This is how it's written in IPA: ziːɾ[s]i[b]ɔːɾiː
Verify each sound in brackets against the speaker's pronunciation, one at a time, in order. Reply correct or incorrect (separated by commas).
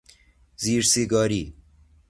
correct, incorrect